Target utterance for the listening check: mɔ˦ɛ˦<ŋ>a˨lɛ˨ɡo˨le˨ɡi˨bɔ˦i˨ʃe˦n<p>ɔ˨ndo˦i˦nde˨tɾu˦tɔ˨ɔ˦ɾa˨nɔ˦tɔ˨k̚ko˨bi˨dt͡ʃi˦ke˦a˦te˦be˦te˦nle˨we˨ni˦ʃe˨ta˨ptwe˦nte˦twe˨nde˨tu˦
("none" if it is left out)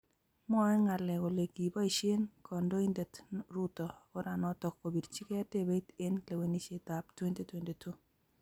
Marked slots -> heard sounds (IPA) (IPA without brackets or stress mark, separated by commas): ŋ, k